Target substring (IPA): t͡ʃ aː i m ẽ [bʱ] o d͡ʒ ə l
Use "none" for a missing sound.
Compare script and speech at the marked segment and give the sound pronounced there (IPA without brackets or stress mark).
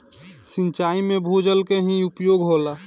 bʱ